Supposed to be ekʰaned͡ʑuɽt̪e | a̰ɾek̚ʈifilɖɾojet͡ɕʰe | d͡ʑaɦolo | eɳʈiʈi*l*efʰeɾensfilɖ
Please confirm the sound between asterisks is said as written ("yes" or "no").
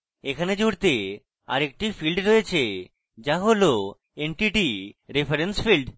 no